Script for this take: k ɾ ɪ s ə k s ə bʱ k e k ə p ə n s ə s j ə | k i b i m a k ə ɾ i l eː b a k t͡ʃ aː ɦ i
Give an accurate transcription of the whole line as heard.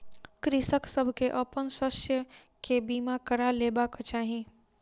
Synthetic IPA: k ɾ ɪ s ə k s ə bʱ k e ʔ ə p ə n s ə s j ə | k e b i m a k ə ɾ a l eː b a k t͡ʃ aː ɦ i